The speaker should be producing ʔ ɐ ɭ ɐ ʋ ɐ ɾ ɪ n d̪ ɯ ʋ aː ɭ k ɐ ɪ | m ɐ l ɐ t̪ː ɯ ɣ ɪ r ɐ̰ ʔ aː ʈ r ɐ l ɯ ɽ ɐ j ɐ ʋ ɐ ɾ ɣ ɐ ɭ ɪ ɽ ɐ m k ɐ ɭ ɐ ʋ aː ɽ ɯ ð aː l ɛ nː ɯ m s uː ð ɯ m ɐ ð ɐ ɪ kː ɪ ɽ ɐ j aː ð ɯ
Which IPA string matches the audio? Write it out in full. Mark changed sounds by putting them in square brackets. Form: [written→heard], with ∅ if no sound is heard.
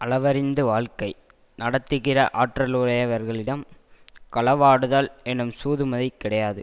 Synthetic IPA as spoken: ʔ ɐ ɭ ɐ ʋ ɐ ɾ ɪ n d̪ ɯ ʋ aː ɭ k ɐ ɪ | [m→n] ɐ [l→ɽ] ɐ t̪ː ɯ ɣ ɪ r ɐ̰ ʔ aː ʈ r ɐ l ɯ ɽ ɐ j ɐ ʋ ɐ ɾ ɣ ɐ ɭ ɪ ɽ ɐ m k ɐ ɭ ɐ ʋ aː ɽ ɯ ð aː l ɛ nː ɯ m s uː ð ɯ m ɐ ð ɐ ɪ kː ɪ ɽ ɐ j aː ð ɯ

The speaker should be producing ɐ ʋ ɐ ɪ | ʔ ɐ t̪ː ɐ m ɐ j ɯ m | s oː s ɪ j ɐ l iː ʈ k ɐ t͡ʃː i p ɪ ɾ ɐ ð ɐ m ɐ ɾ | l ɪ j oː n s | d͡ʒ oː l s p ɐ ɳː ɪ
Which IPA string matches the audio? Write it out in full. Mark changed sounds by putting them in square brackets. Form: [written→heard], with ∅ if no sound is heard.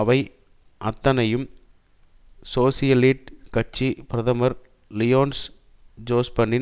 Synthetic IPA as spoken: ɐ ʋ ɐ ɪ | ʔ ɐ t̪ː ɐ [m→n] ɐ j ɯ m | s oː s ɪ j ɐ l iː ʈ k ɐ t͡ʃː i p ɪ ɾ ɐ ð ɐ m ɐ ɾ | l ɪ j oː n s | d͡ʒ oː [l→∅] s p ɐ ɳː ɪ

